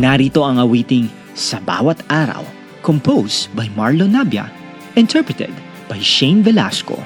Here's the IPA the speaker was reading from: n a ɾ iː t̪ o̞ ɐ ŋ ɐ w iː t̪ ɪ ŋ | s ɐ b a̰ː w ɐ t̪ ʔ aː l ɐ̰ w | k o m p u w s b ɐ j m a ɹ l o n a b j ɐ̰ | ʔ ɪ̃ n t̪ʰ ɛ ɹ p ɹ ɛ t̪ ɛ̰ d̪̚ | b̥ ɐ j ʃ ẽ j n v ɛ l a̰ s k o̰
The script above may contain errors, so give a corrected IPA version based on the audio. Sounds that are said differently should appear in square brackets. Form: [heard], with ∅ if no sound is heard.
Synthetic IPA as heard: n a ɾ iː t̪ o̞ ɐ ŋ ɐ w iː t̪ ɪ ŋ | s ɐ b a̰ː w ɐ t̪ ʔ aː [ɾ] ɐ̰ w | k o m p [o] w s b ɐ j m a ɹ l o n a b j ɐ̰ | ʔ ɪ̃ n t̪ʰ ɛ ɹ p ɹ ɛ t̪ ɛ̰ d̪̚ | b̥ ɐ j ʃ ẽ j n v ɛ l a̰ s k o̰